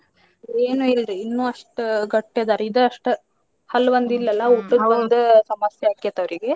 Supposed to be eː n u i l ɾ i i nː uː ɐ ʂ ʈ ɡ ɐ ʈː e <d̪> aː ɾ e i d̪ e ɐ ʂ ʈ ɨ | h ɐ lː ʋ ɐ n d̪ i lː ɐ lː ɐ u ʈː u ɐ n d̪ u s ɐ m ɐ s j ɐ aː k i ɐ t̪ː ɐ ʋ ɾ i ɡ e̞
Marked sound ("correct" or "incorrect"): correct